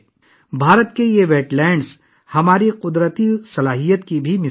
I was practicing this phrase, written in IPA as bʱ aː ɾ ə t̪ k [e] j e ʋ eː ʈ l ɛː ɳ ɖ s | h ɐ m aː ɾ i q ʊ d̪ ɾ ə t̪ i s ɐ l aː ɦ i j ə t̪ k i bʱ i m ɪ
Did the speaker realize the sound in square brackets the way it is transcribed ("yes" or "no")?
yes